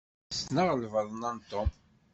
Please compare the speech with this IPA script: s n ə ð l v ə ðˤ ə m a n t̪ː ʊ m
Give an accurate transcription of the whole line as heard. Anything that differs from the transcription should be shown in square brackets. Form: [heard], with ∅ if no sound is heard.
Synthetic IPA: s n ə [ʁ] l v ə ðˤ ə [n] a n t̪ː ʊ m